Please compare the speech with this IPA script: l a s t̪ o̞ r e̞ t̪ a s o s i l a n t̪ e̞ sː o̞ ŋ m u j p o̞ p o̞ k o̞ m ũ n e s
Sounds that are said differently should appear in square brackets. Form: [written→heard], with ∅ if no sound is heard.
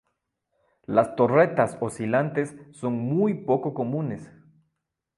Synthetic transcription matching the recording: l a s t̪ o̞ r e̞ t̪ a s o s i l a n t̪ e̞ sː o̞ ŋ m u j p o̞ [p→k] o̞ k o̞ m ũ n e s